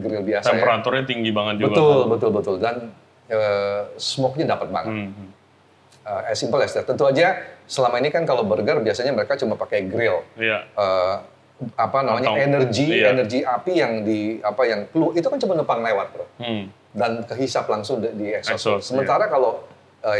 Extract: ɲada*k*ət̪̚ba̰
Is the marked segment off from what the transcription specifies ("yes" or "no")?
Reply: yes